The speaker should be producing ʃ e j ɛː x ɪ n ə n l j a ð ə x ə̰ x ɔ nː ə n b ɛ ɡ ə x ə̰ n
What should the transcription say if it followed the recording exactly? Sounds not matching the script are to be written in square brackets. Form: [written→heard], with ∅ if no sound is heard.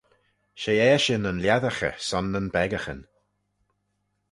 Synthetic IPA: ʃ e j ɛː [x→ʃ] ɪ n ə n l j a ð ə x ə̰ [x→s] ɔ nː ə n b ɛ ɡ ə x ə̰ n